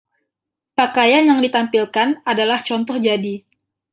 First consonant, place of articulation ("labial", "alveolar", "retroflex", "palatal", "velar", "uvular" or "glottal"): labial